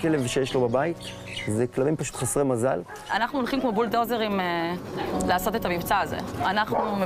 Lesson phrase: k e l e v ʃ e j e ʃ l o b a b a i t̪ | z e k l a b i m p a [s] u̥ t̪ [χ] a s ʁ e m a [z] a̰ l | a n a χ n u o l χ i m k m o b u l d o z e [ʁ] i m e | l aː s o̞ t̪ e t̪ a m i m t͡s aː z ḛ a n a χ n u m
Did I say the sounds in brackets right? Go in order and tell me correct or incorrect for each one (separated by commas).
incorrect, correct, correct, correct